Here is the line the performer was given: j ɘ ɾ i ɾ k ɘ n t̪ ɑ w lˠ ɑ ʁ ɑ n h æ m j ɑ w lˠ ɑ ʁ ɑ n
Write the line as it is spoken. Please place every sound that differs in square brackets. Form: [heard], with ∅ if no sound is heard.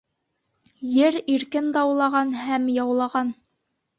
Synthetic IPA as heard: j ɘ ɾ i ɾ k ɘ n [d̪] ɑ w lˠ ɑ ʁ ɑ n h æ m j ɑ w lˠ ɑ ʁ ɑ n